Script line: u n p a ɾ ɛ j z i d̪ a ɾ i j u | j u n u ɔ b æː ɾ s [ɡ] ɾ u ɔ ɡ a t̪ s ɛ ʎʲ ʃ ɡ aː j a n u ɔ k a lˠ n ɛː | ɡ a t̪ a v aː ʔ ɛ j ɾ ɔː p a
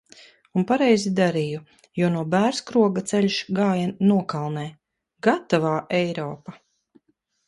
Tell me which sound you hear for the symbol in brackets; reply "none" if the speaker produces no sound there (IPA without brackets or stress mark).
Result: k